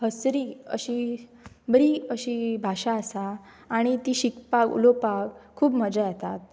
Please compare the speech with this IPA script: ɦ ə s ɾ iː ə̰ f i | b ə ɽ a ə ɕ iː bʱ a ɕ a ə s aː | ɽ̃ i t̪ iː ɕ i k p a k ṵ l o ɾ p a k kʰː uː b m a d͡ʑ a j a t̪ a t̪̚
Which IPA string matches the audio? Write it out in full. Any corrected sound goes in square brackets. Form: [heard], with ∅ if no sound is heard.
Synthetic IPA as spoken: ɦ ə s ɾ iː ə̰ [ɕ] i | b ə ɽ [i] ə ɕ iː bʱ a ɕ a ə s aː | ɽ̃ i t̪ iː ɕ i k p a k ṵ l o [∅] p a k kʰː uː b m [ə] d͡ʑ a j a t̪ a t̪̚